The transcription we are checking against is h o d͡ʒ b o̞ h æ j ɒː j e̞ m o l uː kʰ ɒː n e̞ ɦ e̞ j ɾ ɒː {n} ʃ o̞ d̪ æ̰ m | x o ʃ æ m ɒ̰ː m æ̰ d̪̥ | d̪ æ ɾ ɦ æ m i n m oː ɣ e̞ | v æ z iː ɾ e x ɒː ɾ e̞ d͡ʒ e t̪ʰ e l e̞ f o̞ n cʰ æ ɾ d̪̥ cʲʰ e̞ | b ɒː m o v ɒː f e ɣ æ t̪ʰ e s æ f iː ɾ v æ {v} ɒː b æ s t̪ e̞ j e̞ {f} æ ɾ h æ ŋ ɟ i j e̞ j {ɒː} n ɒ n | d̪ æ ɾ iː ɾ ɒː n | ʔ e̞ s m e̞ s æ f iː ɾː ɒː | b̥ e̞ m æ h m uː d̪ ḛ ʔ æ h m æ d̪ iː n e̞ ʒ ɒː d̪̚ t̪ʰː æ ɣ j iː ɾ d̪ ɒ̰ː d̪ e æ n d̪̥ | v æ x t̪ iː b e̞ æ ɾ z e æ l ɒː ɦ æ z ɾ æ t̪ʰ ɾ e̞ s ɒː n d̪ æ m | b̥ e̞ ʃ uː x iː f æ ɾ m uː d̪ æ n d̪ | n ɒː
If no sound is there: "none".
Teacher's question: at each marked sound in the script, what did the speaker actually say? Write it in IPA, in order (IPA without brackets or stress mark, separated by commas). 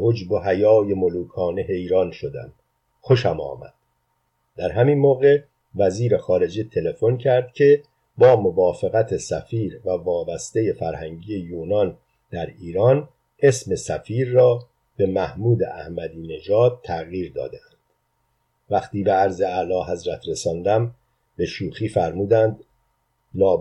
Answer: n, v, f, uː